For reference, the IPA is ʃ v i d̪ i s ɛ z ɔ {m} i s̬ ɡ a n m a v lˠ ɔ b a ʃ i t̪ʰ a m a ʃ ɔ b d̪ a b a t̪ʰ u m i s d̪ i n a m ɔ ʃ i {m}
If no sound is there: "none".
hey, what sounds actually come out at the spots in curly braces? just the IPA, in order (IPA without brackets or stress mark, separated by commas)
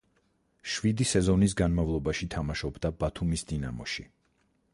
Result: n, none